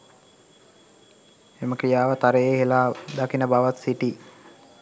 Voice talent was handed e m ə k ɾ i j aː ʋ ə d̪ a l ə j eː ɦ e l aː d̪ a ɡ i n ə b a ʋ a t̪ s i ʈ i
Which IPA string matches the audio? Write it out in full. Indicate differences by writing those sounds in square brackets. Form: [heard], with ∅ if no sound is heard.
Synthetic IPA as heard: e m ə k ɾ i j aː ʋ ə [t̪] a [ɾ] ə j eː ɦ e l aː d̪ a [k] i n ə b a ʋ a t̪ s i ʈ i